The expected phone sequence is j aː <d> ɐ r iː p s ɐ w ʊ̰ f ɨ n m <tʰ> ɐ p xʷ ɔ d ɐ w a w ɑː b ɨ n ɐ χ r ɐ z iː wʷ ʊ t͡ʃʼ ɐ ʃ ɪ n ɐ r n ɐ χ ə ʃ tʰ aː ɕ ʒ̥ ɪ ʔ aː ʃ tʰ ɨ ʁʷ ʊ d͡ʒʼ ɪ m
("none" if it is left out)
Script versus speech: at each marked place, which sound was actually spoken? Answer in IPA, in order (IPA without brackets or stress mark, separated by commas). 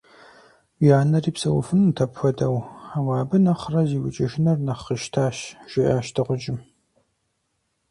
n, tʰ